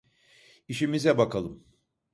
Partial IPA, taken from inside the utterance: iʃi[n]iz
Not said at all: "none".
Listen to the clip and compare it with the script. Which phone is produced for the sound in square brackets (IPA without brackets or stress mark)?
m